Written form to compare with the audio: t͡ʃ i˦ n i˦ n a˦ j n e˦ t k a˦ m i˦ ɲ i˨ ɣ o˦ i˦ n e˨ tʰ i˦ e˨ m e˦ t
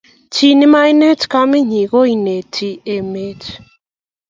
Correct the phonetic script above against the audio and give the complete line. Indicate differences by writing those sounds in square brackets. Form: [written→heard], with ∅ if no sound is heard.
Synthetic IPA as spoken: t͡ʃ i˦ n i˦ [n→m] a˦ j n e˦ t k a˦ m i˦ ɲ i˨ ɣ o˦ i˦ n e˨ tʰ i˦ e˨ m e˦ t